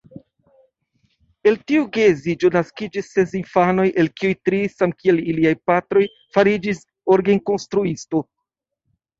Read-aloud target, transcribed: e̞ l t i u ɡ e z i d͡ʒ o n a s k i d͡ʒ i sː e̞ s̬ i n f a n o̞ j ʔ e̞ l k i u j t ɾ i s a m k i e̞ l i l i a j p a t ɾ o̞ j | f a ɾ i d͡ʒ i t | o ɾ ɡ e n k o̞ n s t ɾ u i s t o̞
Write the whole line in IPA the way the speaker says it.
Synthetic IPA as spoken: e̞ l t i u ɡ e z i d͡ʒ o n a s k i d͡ʒ i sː e̞ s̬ i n f a n o̞ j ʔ e̞ l k i u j t ɾ i s a m k i e̞ l i l i a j p a t ɾ o̞ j | f a ɾ i d͡ʒ i s | o ɾ ɡ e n k o̞ n s t ɾ u i s t o̞